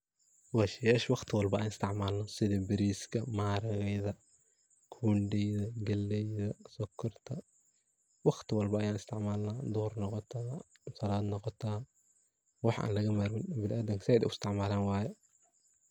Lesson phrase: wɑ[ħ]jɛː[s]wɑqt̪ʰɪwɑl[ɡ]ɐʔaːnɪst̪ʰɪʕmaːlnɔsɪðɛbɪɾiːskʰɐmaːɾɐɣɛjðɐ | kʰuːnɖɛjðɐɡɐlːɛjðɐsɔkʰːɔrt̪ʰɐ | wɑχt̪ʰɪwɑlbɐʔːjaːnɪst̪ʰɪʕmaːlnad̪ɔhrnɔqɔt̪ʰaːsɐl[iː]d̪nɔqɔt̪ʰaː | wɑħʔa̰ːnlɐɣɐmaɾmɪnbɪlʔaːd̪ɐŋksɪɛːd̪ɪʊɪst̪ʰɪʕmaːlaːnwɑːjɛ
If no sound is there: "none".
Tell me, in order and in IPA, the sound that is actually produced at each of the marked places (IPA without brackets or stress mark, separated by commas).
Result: ʃ, ʃ, b, aː